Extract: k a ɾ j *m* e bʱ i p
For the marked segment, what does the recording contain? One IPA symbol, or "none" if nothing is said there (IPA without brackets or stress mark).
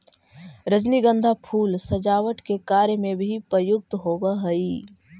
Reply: m